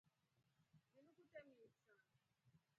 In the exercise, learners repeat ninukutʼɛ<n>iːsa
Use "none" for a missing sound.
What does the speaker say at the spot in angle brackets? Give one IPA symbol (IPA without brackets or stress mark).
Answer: m